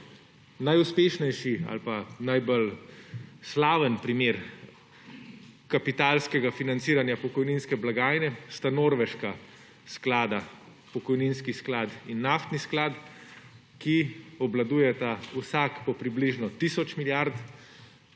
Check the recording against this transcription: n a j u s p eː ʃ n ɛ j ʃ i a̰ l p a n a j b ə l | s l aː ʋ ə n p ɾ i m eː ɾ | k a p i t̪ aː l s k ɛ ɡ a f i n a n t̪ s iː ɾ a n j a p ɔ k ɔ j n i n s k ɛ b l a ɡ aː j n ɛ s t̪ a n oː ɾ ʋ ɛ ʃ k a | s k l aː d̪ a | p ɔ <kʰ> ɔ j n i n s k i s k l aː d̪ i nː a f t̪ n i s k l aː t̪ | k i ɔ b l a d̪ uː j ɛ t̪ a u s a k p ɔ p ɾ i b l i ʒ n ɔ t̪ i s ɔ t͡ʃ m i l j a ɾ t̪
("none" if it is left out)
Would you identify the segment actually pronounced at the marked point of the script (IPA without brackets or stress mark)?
k